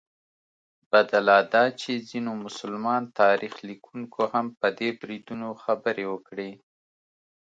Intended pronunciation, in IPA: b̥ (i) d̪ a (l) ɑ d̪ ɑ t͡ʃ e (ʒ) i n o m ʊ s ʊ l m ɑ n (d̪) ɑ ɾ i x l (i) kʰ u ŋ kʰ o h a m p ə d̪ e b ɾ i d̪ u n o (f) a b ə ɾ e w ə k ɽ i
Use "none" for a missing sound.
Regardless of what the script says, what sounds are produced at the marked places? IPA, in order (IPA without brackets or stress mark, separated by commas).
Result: a, l, z, t̪, i, x